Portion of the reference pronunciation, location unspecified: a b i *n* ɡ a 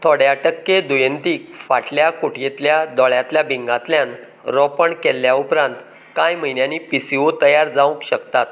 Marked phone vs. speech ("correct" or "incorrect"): incorrect